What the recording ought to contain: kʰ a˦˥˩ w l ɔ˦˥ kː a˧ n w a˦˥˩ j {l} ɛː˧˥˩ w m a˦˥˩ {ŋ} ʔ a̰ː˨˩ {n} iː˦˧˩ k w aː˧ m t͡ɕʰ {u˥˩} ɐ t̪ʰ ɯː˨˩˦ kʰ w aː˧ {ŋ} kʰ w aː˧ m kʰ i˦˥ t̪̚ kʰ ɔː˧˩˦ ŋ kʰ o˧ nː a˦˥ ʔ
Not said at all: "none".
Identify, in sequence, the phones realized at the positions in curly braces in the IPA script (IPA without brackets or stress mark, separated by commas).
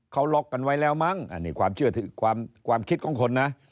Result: l, ŋ, n, ɯ˥˩, m